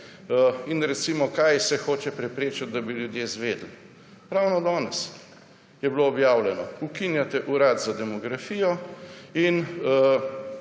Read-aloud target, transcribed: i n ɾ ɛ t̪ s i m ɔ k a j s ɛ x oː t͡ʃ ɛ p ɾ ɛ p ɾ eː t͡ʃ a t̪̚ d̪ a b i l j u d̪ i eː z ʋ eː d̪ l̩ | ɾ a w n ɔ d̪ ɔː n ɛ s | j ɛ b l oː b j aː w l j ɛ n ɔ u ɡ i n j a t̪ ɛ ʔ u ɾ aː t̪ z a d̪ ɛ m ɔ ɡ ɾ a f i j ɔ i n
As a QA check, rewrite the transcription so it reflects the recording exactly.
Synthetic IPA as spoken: i n ɾ ɛ t̪ s i m ɔ k a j s ɛ x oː t͡ʃ ɛ p ɾ ɛ p ɾ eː t͡ʃ a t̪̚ d̪ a b i l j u d̪ j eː z ʋ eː d̪ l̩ | ɾ a w n ɔ d̪ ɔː n ɛ s | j ɛ b l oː b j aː w l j ɛ n ɔ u k i n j a t̪ ɛ ʔ u ɾ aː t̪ z a d̪ ɛ m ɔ ɡ ɾ a f i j ɔ i n